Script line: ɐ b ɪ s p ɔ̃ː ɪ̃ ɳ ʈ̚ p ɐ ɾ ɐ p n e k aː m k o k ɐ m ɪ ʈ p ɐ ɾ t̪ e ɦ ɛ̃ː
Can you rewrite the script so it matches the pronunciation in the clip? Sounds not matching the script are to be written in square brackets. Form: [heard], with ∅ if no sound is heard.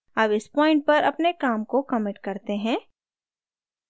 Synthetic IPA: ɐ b ɪ s p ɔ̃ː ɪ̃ ɳ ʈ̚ p ɐ ɾ ɐ p n e k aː m k o k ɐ m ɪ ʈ [k] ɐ ɾ t̪ e ɦ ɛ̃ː